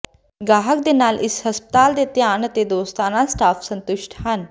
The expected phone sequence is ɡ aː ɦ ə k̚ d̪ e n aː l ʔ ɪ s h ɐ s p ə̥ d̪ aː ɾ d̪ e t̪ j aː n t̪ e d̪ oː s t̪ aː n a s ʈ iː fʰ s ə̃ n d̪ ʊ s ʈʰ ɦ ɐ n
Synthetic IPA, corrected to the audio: ɡ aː ɦ ə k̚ d̪ e n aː l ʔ ɪ s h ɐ s p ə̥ t̪ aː l d̪ e t̪ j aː n t̪ e d̪ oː s t̪ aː n a s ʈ aː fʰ s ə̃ n t̪ ʊ ʃ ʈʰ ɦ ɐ n